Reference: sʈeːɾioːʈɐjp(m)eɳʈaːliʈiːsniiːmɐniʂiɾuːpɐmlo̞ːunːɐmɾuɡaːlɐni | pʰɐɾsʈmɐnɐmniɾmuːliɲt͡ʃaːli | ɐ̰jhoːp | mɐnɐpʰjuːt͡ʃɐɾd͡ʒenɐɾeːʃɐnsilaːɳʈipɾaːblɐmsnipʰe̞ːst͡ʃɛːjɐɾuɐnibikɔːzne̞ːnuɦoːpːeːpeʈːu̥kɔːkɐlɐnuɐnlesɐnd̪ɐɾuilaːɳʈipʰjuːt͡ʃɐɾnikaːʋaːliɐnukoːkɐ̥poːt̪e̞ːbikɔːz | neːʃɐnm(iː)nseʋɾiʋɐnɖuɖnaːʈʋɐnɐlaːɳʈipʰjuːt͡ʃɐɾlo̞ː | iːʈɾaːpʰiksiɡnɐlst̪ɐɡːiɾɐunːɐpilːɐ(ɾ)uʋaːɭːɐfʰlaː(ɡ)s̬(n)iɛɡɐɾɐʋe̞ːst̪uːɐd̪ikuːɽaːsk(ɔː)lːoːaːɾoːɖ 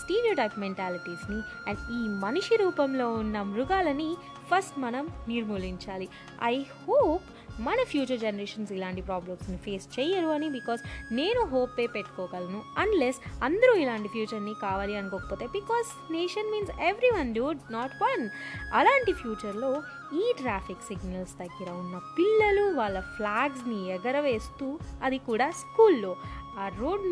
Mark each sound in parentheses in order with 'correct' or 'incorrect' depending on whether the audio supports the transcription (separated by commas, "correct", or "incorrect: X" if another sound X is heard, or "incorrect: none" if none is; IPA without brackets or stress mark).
correct, correct, incorrect: l, correct, correct, incorrect: uː